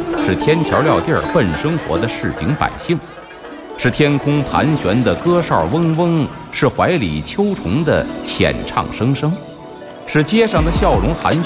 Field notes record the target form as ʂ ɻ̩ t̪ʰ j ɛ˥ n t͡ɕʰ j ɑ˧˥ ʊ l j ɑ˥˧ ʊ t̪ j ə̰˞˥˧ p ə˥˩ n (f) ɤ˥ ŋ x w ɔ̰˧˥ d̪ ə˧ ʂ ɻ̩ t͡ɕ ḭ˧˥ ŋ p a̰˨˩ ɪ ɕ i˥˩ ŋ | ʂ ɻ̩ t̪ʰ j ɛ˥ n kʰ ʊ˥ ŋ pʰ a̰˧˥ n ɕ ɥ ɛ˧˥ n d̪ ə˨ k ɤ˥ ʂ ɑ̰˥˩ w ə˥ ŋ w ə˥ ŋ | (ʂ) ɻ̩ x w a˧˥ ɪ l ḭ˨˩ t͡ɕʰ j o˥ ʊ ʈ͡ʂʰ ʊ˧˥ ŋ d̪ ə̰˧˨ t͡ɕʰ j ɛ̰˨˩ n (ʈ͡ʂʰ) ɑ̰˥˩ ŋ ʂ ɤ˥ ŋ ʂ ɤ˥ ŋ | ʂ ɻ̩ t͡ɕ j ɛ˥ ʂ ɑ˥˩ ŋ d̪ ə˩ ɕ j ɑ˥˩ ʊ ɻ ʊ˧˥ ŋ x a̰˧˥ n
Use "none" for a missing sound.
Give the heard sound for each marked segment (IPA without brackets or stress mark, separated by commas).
ʂ, ʂ, ʈ͡ʂʰ